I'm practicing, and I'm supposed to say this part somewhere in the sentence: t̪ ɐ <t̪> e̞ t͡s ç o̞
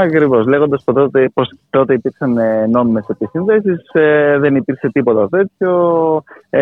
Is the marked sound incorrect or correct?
correct